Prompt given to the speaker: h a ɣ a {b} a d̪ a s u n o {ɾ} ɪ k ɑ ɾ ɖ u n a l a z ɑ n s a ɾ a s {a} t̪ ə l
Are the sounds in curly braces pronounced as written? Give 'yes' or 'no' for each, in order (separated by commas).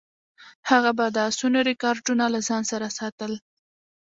yes, yes, no